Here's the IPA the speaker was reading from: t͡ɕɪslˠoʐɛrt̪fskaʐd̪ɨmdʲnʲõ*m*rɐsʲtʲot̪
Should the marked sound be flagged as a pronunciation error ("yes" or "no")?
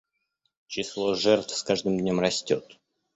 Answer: no